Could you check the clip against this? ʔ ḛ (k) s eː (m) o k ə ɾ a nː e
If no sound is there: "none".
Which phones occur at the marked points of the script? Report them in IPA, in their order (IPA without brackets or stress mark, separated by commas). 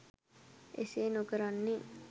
none, n